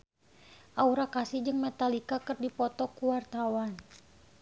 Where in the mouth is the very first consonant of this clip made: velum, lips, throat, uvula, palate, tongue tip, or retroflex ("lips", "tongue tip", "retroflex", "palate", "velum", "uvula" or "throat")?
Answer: throat